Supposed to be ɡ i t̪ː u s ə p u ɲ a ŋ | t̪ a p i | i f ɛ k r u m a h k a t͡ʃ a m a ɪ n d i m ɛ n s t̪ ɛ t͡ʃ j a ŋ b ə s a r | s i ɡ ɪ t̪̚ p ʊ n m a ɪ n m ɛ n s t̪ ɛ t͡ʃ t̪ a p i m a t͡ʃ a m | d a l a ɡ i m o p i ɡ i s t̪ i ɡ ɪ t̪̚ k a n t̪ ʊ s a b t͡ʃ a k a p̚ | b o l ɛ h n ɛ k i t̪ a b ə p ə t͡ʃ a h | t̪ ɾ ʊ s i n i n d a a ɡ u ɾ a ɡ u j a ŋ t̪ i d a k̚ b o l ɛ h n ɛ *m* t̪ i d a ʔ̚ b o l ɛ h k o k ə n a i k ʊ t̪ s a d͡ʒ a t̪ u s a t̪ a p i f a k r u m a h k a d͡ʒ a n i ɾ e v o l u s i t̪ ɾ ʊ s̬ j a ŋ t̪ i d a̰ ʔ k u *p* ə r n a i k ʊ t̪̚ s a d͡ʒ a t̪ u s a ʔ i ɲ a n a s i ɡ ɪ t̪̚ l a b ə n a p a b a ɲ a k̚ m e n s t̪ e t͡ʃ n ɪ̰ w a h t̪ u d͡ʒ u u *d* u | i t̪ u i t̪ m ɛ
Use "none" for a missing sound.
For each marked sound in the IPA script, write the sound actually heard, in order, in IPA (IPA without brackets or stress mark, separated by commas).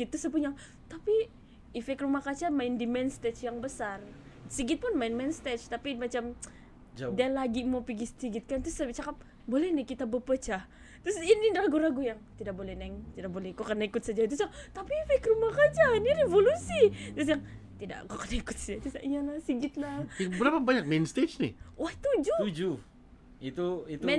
ŋ, k, d͡ʒ